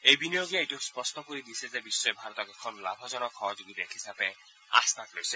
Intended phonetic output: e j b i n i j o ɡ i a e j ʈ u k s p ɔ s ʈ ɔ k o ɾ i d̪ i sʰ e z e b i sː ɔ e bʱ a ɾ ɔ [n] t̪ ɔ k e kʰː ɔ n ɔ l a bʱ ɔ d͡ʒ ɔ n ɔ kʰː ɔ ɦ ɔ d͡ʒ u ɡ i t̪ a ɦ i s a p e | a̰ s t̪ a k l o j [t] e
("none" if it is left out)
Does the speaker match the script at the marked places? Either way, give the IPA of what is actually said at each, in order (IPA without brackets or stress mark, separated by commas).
none, s